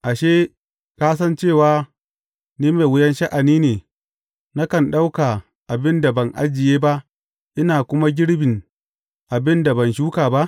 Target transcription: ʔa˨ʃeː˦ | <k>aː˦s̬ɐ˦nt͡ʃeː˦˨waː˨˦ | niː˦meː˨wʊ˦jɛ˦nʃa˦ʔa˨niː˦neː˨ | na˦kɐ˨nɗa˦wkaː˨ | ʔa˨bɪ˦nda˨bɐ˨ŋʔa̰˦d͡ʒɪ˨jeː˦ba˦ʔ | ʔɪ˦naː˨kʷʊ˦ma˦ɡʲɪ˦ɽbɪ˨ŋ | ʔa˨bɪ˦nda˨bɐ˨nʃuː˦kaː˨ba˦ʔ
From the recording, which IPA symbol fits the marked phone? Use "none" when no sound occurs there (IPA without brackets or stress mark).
k